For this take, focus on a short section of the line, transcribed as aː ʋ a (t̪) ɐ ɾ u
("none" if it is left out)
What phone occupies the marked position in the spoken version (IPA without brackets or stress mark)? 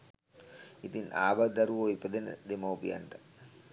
d̪